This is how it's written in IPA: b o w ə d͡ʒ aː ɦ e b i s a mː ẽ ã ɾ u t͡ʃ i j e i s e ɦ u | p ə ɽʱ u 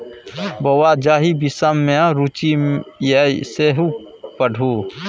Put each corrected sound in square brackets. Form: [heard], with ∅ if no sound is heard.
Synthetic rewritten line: b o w [a] d͡ʒ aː ɦ [i] b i s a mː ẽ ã ɾ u t͡ʃ i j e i s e ɦ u | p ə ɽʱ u